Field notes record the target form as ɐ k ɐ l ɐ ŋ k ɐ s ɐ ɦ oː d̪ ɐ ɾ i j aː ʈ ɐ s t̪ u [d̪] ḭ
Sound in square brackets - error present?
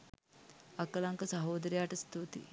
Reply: yes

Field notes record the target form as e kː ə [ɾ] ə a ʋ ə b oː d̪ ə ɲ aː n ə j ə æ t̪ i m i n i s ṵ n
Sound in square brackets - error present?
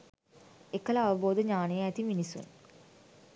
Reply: yes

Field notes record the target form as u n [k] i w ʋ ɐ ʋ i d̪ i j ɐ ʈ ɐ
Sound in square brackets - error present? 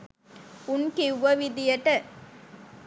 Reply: no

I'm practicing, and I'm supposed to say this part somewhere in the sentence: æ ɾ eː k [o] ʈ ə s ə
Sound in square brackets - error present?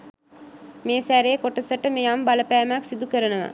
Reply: no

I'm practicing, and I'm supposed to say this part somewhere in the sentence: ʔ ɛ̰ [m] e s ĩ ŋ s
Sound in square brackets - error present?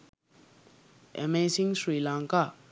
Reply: no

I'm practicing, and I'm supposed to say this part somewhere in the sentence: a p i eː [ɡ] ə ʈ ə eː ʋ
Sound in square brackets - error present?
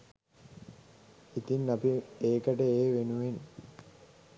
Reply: yes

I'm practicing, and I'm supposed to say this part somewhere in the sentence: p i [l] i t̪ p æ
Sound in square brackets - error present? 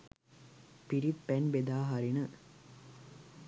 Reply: yes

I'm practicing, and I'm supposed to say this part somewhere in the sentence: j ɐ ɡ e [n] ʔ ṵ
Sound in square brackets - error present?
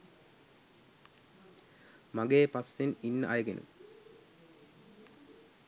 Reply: no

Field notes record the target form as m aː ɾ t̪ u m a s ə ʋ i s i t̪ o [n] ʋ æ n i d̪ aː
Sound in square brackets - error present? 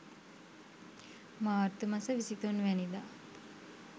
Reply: no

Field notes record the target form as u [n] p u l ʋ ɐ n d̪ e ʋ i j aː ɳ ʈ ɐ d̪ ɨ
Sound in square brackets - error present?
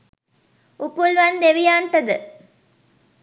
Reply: yes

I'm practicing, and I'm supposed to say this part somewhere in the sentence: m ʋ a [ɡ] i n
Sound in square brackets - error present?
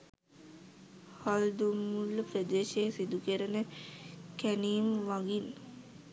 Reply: no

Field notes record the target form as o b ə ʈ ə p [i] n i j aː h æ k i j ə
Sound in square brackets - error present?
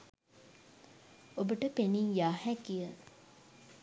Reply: yes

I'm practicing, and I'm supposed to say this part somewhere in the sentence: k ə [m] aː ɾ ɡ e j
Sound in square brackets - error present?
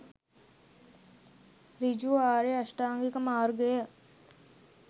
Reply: no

